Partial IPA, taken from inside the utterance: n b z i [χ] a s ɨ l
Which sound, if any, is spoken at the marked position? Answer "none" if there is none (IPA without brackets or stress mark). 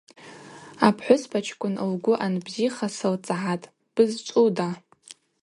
χ